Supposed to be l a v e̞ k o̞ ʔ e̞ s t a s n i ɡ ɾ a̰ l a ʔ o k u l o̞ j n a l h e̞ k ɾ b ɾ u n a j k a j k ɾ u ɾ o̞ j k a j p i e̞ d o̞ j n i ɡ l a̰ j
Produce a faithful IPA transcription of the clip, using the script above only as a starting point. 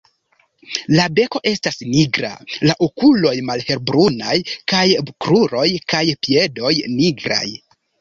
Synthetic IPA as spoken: l a b e̞ k o̞ ʔ e̞ s t a s n i ɡ ɾ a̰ l a ʔ o k u l o̞ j m a l h e̞ ɾ b ɾ u n a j k a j k ɾ u ɾ o̞ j k a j p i e̞ d o̞ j n i ɡ ɾ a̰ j